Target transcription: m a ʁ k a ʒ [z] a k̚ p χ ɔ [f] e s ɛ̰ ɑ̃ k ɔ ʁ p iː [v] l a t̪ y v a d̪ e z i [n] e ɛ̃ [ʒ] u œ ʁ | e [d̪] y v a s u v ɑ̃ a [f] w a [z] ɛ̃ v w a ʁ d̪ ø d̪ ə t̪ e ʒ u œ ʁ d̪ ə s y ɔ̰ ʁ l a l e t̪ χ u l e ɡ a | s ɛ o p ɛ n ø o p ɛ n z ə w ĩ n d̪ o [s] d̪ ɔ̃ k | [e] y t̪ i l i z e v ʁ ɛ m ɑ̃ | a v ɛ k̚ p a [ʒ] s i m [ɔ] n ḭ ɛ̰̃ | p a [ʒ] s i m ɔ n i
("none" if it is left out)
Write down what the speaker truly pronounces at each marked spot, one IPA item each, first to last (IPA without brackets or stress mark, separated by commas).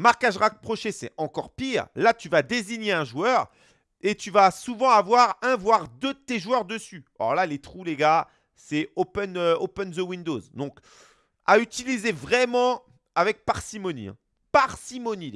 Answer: ʁ, ʃ, ʁ, ɲ, ʒ, t̪, v, ʁ, z, a, ʁ, ɔ, ʁ